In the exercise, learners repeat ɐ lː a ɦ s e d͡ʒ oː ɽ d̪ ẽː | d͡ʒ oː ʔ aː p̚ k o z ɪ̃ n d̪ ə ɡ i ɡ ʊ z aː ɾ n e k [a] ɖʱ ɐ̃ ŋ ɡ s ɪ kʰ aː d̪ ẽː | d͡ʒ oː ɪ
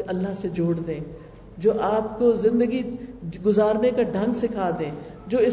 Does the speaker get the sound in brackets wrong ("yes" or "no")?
no